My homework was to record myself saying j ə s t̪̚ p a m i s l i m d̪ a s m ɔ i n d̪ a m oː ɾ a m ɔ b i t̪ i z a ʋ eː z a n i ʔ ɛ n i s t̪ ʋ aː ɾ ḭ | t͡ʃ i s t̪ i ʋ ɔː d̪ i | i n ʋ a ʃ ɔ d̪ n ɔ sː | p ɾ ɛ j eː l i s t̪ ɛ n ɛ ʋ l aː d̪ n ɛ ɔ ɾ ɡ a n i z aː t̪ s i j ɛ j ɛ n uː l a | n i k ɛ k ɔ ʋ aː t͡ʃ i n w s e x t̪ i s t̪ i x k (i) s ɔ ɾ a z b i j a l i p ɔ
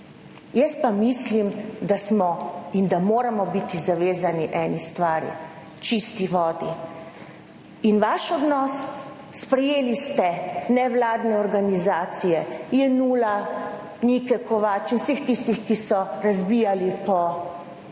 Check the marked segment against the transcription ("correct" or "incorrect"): correct